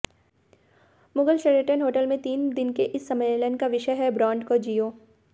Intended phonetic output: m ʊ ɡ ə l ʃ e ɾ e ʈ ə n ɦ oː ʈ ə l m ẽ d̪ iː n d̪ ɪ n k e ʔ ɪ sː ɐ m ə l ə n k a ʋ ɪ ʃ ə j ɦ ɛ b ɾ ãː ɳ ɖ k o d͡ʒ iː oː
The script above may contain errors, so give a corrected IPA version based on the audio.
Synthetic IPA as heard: m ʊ ɡ ə l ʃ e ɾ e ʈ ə n ɦ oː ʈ ə l m ẽ t̪ iː n d̪ ɪ n k e ʔ ɪ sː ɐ m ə l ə n k a ʋ ɪ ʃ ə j ɦ ɛ b ɾ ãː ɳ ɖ k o d͡ʒ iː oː